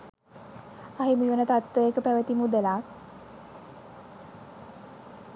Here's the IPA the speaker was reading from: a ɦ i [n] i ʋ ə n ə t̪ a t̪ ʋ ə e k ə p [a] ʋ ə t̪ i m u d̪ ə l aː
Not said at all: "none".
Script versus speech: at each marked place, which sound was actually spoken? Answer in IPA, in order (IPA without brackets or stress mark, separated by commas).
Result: m, æ